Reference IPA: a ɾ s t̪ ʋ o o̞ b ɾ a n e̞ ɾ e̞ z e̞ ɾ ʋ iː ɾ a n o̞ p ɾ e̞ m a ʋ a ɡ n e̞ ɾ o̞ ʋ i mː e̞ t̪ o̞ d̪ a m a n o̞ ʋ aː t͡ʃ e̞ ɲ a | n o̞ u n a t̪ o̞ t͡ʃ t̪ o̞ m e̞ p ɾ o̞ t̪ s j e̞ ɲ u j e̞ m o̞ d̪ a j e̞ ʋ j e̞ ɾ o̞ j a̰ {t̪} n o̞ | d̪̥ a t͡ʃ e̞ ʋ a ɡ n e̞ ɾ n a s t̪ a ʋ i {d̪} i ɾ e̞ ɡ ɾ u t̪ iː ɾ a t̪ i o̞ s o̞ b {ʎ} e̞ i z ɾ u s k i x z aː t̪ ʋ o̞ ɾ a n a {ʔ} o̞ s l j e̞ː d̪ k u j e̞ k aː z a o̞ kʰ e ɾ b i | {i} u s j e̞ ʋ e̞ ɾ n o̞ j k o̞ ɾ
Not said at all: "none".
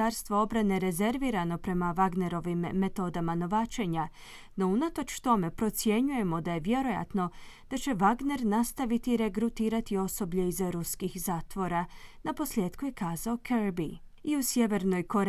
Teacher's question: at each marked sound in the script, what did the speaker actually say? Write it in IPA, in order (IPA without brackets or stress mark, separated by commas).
t̪, t̪, ʎ, p, i